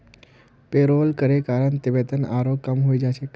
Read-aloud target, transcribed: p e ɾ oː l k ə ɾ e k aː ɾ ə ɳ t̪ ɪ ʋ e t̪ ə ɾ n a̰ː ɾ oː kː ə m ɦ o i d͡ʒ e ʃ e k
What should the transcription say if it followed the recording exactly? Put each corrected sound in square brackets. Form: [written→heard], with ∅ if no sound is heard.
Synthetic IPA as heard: p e ɾ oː l k ə ɾ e k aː ɾ ə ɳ t̪ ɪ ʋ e t̪ ə [ɾ→∅] n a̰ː ɾ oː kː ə m ɦ o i d͡ʒ [e→a] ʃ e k